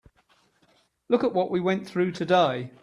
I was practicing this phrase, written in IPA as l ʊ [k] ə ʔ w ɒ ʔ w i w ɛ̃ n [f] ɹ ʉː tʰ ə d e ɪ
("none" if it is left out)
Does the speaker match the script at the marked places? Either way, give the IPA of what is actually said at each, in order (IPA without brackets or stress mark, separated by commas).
k, θ